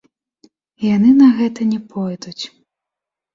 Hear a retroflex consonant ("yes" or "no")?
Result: no